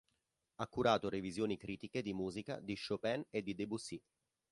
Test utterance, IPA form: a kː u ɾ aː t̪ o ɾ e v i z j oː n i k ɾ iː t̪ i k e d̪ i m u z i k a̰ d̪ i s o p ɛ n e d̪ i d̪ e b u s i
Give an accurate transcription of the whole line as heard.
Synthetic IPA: a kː u ɾ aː t̪ o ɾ e v i z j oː n i k ɾ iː t̪ i k e d̪ i m uː z i k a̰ d̪ i ʃ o p ɛ n e d̪ i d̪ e b u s i